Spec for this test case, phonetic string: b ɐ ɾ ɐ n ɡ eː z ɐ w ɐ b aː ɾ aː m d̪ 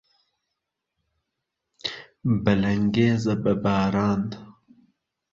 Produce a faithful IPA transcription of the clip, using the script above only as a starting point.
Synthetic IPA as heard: b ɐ l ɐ ŋ ɡ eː z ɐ b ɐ b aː ɾ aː n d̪